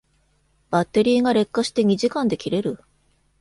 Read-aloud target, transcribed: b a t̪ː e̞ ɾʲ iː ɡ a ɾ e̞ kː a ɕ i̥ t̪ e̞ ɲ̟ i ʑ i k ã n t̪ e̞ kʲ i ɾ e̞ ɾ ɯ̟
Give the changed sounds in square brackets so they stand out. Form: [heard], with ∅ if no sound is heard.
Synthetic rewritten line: b a t̪ː e̞ ɾʲ iː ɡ a ɾ e̞ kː a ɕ i̥ t̪ e̞ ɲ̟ i ʑ i k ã n [d̪] e̞ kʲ i ɾ e̞ ɾ ɯ̟

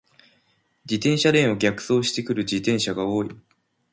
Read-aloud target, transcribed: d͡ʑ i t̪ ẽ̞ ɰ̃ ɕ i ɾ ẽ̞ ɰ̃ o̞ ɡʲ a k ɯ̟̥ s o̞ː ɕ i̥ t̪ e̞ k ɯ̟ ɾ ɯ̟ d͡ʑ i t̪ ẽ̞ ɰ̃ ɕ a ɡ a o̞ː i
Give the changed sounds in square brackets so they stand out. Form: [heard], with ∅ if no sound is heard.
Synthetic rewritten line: d͡ʑ i t̪ ẽ̞ ɰ̃ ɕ [a] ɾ ẽ̞ ɰ̃ o̞ ɡʲ a k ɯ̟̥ s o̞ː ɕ i̥ t̪ e̞ k ɯ̟ ɾ ɯ̟ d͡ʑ i t̪ ẽ̞ ɰ̃ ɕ a ɡ a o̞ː i

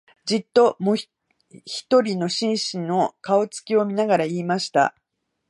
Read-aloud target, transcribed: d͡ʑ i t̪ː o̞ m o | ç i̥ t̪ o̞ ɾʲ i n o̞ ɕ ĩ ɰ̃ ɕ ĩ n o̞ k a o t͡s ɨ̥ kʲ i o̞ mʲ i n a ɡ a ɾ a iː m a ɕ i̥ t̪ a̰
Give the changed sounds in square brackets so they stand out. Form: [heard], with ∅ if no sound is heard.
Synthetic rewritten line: d͡ʑ i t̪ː o̞ m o | ç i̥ t̪ o̞ ɾʲ i n o̞ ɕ ĩ ɰ̃ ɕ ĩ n o̞ k a o t͡s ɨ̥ kʲ i o̞ mʲ i n a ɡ a ɾ a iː m a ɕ i̥ t̪ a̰

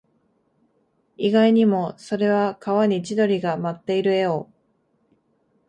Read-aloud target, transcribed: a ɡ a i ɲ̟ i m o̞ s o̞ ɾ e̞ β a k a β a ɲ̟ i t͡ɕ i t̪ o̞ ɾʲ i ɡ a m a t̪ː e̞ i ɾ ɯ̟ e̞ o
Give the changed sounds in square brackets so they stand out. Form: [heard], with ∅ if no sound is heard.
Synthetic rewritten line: [i] ɡ a i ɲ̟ i m o̞ s o̞ ɾ e̞ β a k a β a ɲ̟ i t͡ɕ i [d̪] o̞ ɾʲ i ɡ a m a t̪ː e̞ i ɾ ɯ̟ e̞ o

